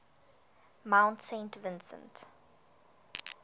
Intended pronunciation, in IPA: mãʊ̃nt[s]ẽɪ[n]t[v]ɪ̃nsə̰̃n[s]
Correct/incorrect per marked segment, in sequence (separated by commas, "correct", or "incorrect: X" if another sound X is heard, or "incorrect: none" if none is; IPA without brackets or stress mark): correct, correct, correct, incorrect: t